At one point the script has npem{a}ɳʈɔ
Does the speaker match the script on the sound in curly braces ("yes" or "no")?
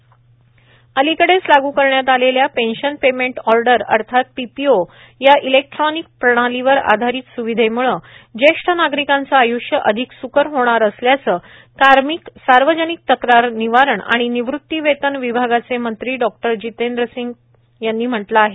no